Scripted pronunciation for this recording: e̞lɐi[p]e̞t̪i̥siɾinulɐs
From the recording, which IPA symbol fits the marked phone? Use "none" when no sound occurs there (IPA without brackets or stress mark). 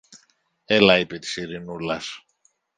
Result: p